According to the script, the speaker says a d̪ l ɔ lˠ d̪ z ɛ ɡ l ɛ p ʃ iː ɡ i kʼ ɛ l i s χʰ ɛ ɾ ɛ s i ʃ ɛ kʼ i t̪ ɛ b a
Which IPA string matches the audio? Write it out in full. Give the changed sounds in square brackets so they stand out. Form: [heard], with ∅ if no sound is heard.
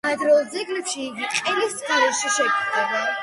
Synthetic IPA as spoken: a d̪ [ɾ] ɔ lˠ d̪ z ɛ ɡ l ɛ p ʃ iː ɡ i [qʼ] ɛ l i s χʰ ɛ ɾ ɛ [ʃ] i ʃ ɛ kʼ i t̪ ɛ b a